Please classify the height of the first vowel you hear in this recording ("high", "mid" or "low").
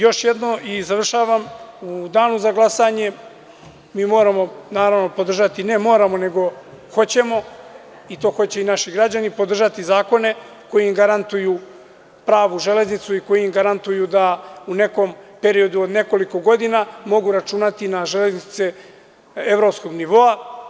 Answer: mid